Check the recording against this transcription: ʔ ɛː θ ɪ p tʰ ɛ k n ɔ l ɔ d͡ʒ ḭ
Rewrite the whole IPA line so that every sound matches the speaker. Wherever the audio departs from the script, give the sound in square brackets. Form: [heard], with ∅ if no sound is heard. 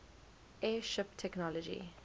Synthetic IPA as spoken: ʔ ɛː [ʃ] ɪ p tʰ ɛ k n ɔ l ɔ d͡ʒ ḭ